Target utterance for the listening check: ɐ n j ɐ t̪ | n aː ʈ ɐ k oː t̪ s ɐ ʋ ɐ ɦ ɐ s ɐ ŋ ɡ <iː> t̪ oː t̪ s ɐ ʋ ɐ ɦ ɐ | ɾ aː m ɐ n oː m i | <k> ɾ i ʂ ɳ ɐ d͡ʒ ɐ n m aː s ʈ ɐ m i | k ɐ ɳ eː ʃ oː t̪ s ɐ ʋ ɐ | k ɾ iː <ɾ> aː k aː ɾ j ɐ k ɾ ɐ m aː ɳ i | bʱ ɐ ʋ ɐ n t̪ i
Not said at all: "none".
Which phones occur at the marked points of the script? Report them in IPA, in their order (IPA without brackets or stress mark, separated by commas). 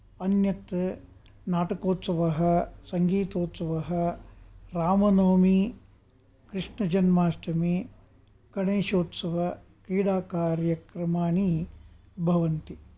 iː, k, ɽ